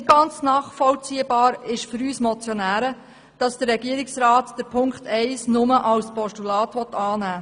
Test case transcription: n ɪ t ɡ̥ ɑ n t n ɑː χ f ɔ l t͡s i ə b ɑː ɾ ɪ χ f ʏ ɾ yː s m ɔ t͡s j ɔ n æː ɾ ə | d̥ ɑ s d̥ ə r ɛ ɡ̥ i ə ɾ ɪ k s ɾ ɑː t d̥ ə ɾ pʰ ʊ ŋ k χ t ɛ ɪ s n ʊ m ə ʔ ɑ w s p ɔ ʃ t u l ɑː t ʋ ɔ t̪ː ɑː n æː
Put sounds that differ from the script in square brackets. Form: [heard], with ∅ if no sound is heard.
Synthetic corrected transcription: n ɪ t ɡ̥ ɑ n [t͡s] n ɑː χ f ɔ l t͡s i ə b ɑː ɾ ɪ [ʃ] f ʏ ɾ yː s m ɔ t͡s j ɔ n æː ɾ ə | d̥ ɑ s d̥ ə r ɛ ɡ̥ i ə ɾ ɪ k s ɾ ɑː t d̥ ə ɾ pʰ ʊ ŋ k χ t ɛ ɪ s n ʊ m ə ʔ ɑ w s p ɔ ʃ t u l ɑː t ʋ ɔ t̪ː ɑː n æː

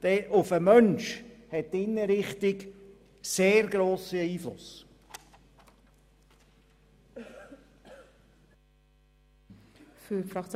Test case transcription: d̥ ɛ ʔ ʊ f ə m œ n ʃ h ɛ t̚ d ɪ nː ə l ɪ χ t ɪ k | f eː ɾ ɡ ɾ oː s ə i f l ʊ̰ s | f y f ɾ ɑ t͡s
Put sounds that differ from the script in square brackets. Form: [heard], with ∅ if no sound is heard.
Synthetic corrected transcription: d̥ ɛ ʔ ʊ f ə m œ n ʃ h ɛ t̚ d ɪ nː ə [ɾ] ɪ χ t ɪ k | [s] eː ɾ ɡ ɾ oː s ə [iː] f l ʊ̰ s | f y f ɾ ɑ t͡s

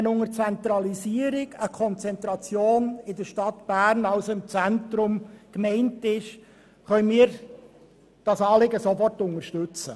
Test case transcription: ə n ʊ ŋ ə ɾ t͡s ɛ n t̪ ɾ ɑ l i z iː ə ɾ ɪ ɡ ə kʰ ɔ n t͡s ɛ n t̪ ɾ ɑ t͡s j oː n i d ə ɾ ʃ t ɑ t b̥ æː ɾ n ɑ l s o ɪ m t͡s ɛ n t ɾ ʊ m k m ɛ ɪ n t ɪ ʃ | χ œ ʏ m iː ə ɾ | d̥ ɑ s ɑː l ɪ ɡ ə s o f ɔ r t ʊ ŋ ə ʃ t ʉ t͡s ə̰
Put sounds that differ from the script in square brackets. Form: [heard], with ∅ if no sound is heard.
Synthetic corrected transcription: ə n ʊ ŋ ə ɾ t͡s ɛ n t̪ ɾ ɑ l i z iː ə ɾ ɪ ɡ ə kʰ ɔ n t͡s ɛ n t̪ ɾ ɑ t͡s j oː n [ɪ] d ə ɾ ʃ t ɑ t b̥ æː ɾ n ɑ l s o ɪ m t͡s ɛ n t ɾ ʊ m k m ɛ ɪ n t ɪ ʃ | χ œ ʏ m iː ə ɾ | d̥ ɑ s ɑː l ɪ ɡ ə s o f ɔ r t ʊ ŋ ə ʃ t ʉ t͡s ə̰

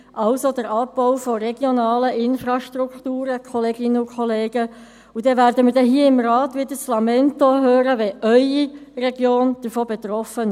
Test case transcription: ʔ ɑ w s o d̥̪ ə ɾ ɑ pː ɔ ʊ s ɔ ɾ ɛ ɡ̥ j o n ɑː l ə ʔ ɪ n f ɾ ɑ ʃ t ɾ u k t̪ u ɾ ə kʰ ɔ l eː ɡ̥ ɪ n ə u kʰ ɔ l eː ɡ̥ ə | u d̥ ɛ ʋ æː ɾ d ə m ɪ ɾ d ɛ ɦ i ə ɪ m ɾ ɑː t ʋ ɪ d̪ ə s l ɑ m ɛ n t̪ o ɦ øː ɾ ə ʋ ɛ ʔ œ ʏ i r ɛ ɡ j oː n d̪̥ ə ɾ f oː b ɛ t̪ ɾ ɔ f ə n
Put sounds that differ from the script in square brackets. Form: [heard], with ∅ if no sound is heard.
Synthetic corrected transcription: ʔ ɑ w s o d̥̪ ə ɾ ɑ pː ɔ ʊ [f] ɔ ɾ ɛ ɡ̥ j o n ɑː l ə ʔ ɪ n f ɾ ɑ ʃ t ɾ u k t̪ [uː] ɾ ə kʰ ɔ l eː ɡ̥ ɪ n ə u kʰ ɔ l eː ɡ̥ ə | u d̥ ɛ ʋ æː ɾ d ə m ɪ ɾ d ɛ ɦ i ə ɪ m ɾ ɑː t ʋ ɪ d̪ ə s l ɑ m ɛ n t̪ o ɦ øː ɾ ə ʋ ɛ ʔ œ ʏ i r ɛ ɡ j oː n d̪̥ ə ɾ f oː b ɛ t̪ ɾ ɔ f ə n

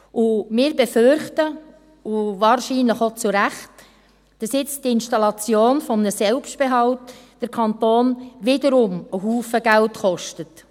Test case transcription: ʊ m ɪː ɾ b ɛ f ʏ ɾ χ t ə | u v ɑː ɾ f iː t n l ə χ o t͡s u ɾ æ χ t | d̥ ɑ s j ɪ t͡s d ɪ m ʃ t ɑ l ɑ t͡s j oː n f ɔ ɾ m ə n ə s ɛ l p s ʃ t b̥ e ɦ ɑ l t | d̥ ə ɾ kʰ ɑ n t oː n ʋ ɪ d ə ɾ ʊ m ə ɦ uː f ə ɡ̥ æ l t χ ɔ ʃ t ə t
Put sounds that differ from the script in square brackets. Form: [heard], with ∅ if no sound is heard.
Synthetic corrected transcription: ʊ m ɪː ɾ b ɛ f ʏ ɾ χ t ə | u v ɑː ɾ [ʃ] iː [∅] n l ə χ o t͡s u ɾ æ χ t | d̥ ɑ s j ɪ t͡s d ɪ [n] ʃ t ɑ l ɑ t͡s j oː n f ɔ [∅] m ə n ə s ɛ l p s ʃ t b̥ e ɦ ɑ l t | d̥ ə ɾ kʰ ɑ n t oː n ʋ ɪ d ə ɾ ʊ m ə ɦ uː f ə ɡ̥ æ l t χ ɔ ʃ t ə t

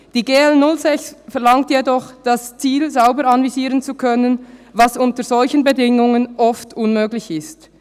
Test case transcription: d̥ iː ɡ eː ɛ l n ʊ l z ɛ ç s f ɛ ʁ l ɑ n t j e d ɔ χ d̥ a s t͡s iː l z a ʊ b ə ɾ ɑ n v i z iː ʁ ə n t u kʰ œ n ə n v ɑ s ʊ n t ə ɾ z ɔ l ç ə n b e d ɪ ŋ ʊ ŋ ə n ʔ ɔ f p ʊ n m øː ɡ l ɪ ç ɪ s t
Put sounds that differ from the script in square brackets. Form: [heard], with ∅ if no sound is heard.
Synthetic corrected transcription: d̥ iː ɡ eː ɛ l n ʊ l z ɛ ç s f ɛ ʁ l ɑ [ŋ] t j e d ɔ χ d̥ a s t͡s iː l z a ʊ b ə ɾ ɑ n v i z iː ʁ ə n [t͡s] u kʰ œ n ə n v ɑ s ʊ n t ə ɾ z ɔ l ç ə n b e d ɪ ŋ ʊ ŋ ə n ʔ ɔ f [t] ʊ n m øː ɡ l ɪ ç ɪ s t

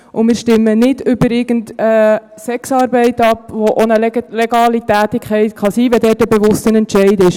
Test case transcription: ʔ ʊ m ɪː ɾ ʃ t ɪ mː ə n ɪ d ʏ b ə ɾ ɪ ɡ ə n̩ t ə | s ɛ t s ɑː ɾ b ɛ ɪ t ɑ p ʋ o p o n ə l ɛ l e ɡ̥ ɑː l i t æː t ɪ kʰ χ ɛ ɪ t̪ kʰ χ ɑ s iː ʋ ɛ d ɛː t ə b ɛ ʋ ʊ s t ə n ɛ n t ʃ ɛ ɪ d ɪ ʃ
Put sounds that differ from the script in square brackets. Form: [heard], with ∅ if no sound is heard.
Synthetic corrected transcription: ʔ ʊ m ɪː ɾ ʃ t ɪ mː ə n ɪ d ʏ b ə ɾ ɪ ɡ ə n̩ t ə | s ɛ [k] s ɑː ɾ b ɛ ɪ t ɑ p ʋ o [ʔ] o n ə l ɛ l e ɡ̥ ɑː l i t æː t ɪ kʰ χ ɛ ɪ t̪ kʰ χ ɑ s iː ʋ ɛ d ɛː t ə b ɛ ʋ ʊ s t ə n ɛ n t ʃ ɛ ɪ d ɪ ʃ

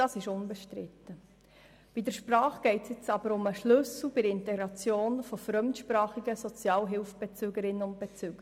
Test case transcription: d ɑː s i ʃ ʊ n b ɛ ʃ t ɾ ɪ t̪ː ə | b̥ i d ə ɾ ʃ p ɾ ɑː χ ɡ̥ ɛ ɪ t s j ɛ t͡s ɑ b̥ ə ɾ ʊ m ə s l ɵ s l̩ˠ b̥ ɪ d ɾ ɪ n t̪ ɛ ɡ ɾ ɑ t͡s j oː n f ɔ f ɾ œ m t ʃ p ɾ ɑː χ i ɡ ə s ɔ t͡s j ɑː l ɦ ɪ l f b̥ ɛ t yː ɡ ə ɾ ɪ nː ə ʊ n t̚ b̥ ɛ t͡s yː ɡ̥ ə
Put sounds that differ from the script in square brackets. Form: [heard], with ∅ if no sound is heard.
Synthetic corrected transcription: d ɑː s [ɪ] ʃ ʊ n b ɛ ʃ t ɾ ɪ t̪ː ə | b̥ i d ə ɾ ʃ p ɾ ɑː χ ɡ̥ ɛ ɪ t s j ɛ t͡s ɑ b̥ ə ɾ ʊ m ə [ʃ] l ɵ s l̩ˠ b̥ ɪ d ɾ ɪ n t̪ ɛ ɡ ɾ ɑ t͡s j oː n f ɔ f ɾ œ m t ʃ p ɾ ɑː χ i ɡ ə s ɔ t͡s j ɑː l ɦ ɪ l f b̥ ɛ [t͡s] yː ɡ ə ɾ ɪ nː ə ʊ n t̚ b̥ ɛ t͡s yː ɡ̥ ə

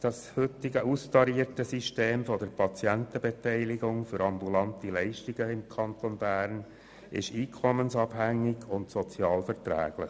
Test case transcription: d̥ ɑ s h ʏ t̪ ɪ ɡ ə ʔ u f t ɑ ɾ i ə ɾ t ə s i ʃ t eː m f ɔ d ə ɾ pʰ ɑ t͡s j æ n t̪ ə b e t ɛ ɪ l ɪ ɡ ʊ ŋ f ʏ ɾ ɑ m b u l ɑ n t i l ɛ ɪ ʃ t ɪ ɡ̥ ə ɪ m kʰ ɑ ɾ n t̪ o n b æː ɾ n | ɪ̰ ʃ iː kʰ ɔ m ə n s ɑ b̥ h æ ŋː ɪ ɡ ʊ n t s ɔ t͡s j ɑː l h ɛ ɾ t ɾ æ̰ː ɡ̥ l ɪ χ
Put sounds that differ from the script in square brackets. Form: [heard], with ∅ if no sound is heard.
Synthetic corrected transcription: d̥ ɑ s h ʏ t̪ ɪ ɡ ə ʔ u [s] t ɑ ɾ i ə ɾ t ə s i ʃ t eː m f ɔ d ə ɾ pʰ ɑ t͡s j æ n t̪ ə b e t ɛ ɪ l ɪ ɡ ʊ ŋ f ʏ ɾ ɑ m b u l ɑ n t i l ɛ ɪ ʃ t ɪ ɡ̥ ə ɪ m kʰ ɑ [∅] n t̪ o n b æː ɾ n | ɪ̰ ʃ iː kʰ ɔ m ə n s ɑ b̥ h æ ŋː ɪ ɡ ʊ n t s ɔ t͡s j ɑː l [f] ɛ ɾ t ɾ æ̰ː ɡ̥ l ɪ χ

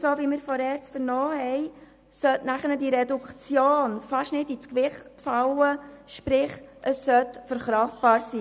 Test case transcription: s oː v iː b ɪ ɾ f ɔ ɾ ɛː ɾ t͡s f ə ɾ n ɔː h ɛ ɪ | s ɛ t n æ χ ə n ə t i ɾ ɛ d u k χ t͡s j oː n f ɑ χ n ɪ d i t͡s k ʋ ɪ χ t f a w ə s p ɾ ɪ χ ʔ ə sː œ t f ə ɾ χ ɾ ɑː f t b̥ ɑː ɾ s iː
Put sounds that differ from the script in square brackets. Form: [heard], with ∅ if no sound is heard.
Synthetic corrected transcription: s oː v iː [m] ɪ ɾ f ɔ ɾ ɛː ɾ t͡s f ə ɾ n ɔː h ɛ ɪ | s [œ] t n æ χ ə n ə [d] i ɾ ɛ d u k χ t͡s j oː n f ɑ [ʃ] n ɪ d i t͡s k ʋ ɪ χ t f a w ə [ʃ] p ɾ ɪ χ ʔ ə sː œ t f ə ɾ χ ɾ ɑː f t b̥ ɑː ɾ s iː

